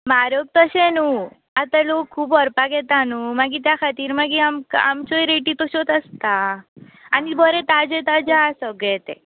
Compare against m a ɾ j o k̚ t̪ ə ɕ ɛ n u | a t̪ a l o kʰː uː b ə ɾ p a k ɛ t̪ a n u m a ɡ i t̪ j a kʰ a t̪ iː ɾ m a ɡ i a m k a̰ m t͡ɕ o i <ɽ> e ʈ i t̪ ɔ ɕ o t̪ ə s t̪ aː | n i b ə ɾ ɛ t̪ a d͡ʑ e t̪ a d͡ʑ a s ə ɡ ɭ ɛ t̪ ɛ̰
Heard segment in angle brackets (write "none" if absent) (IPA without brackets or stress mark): ɾ